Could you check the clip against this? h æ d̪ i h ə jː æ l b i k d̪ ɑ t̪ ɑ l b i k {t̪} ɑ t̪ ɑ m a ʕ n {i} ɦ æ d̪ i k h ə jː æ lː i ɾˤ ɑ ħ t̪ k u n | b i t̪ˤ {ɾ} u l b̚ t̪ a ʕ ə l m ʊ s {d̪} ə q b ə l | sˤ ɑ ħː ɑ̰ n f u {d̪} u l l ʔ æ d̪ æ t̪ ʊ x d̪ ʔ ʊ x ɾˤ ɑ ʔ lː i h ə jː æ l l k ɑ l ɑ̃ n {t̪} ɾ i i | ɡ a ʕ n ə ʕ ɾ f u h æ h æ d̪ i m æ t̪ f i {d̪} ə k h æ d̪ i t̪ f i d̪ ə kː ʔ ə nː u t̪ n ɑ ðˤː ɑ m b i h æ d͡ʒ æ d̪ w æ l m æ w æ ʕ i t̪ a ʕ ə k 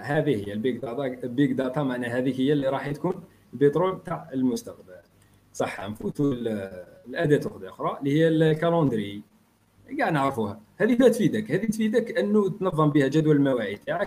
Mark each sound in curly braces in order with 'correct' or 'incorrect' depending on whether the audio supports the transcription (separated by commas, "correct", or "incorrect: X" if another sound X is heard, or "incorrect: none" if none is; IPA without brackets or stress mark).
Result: incorrect: d̪, incorrect: æ, correct, incorrect: t̪, incorrect: t̪, incorrect: d̪, correct